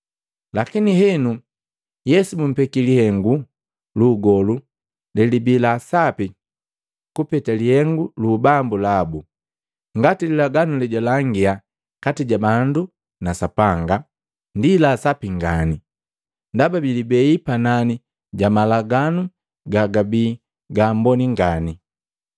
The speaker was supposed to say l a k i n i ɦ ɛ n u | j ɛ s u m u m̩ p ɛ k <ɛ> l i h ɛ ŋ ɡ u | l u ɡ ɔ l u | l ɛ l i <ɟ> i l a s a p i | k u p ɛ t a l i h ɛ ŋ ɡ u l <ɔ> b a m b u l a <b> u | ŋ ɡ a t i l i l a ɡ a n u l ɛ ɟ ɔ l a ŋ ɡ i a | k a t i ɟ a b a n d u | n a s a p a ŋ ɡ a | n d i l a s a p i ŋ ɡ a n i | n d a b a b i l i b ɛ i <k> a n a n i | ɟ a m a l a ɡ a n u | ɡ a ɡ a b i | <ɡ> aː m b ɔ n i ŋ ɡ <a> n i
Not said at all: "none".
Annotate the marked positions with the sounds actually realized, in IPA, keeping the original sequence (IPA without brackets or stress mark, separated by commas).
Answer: i, b, u, b, p, ɡ, a